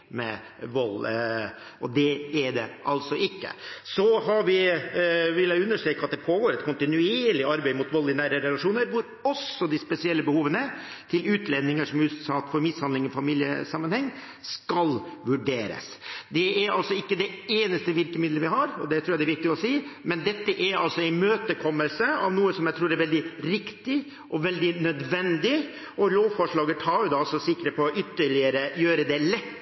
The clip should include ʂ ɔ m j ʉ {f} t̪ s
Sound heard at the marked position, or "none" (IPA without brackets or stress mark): s